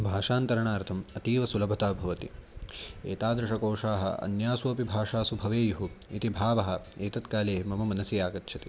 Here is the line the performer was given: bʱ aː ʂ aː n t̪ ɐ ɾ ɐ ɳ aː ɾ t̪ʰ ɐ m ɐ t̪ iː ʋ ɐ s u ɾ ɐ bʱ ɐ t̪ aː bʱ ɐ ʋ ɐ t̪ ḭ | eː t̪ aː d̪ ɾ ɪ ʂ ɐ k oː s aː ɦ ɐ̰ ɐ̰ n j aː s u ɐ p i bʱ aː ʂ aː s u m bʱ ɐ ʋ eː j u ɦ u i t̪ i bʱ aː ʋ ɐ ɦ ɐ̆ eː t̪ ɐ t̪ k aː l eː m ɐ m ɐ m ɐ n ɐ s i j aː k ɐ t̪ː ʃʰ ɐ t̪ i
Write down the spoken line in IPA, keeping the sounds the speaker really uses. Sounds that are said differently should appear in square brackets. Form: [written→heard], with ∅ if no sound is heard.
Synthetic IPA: bʱ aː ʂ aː n t̪ ɐ ɾ ɐ ɳ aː ɾ t̪ʰ ɐ m ɐ t̪ iː ʋ ɐ s u [ɾ→l] ɐ bʱ ɐ t̪ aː bʱ ɐ ʋ ɐ t̪ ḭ | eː t̪ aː d̪ ɾ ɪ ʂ ɐ k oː [s→ʂ] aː ɦ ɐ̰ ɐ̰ n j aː s u ɐ p i bʱ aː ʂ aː s u [m→∅] bʱ ɐ ʋ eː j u ɦ u i t̪ i bʱ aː ʋ ɐ ɦ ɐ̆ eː t̪ ɐ t̪ k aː l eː m ɐ m ɐ m ɐ n ɐ s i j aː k ɐ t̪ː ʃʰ ɐ t̪ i